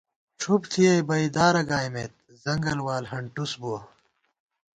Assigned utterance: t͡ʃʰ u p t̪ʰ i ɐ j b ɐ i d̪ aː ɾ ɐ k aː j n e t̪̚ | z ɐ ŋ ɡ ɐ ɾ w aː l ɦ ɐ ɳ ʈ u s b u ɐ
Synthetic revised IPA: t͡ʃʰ u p t̪ʰ i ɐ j b ɐ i d̪ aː ɾ ɐ ɡ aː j m e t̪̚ | z ɐ ŋ ɡ ɐ l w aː l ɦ ɐ ɳ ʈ u s b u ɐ